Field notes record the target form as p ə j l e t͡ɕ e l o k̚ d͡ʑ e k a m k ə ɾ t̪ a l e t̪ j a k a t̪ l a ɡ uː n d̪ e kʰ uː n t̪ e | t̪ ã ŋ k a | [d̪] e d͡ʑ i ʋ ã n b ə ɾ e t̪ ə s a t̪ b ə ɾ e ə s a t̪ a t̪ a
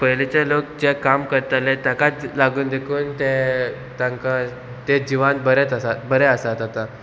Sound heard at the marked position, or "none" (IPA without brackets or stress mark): t̪